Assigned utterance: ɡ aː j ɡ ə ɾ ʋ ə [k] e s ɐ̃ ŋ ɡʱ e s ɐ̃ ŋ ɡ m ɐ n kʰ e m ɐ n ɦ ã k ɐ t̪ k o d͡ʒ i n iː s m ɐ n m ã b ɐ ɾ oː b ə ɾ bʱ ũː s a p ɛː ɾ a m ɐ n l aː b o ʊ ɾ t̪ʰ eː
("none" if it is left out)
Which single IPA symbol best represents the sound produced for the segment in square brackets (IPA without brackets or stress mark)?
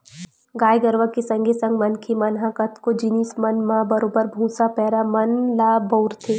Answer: k